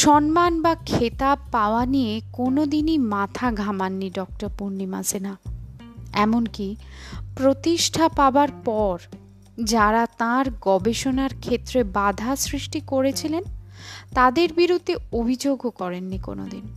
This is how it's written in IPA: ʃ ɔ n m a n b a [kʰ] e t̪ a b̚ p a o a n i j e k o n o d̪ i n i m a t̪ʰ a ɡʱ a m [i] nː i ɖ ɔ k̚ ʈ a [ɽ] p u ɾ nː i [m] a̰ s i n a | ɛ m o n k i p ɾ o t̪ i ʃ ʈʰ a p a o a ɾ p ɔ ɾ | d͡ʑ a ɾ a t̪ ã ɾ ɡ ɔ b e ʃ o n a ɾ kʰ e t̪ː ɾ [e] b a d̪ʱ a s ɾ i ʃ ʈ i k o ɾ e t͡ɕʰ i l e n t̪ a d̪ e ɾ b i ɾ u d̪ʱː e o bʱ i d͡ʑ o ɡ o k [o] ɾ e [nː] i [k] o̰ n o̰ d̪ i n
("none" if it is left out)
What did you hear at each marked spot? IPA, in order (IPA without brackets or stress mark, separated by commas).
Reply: kʰ, a, ɾ, m, e, ɔ, nː, k